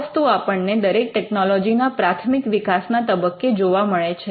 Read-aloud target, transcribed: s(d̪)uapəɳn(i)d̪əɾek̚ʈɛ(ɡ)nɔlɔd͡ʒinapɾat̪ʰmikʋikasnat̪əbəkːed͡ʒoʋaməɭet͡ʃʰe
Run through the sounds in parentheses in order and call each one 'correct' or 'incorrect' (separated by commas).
incorrect, incorrect, incorrect